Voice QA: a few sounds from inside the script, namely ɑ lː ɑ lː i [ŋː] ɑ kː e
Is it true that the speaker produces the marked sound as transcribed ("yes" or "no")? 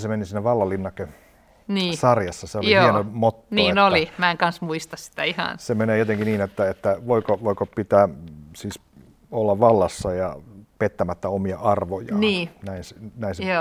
no